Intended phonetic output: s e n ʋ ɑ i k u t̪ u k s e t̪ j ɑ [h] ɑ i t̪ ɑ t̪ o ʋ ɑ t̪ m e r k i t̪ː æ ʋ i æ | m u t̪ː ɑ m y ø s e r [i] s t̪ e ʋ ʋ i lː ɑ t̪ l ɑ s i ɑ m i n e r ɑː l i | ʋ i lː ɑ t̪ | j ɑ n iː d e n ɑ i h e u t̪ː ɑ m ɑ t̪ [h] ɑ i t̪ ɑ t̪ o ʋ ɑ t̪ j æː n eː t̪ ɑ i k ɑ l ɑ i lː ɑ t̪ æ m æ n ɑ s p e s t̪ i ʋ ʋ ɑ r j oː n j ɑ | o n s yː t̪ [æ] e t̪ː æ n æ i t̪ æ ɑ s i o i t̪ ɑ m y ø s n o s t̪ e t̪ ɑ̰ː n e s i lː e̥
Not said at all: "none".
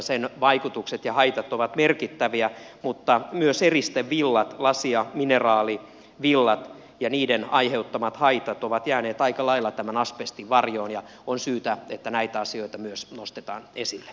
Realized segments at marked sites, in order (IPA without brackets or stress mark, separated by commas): h, i, h, æ